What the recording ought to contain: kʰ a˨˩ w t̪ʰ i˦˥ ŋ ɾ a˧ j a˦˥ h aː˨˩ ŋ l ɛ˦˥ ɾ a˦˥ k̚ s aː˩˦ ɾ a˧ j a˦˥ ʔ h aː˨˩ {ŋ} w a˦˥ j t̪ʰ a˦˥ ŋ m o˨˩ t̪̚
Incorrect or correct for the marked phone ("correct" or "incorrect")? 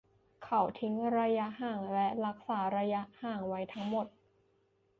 correct